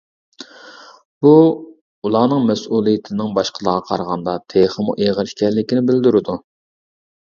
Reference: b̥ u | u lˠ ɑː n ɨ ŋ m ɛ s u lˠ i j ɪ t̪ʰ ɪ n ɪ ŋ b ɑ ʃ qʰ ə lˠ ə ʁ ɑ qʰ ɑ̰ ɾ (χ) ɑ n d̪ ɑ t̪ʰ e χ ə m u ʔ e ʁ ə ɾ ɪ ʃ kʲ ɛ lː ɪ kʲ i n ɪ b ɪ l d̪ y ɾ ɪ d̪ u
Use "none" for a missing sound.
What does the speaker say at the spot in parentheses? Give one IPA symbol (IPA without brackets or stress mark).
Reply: ʁ